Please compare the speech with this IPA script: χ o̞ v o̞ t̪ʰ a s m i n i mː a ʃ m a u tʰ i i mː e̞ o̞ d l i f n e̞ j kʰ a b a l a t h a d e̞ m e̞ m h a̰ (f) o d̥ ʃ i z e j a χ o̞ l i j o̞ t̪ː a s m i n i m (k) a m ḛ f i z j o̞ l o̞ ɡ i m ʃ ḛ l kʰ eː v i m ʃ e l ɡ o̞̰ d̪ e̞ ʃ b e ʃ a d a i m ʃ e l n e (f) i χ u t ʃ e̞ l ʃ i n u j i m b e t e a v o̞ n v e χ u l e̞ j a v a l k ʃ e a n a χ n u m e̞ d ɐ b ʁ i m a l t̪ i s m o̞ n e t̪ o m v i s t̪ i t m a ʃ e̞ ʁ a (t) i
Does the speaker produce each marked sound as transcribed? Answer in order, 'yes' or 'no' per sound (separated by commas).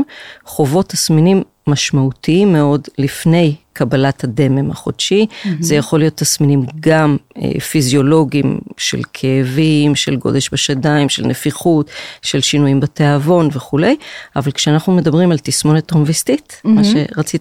no, no, yes, no